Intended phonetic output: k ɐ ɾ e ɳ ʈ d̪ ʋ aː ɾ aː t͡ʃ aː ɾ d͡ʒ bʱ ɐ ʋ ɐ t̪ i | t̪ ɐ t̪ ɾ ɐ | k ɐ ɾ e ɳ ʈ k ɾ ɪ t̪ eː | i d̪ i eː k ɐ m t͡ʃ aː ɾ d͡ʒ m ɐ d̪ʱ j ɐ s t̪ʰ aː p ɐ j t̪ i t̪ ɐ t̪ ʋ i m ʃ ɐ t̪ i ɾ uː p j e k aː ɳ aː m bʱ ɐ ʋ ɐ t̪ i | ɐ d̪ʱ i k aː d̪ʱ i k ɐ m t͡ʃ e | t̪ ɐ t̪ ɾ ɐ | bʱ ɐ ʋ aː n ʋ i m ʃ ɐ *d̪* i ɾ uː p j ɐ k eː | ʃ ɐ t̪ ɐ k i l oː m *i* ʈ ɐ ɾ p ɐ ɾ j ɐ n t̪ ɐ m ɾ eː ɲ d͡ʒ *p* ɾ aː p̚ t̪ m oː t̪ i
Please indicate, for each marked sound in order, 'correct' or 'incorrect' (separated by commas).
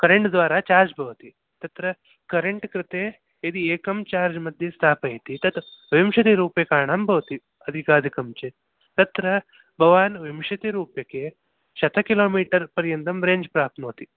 incorrect, incorrect, correct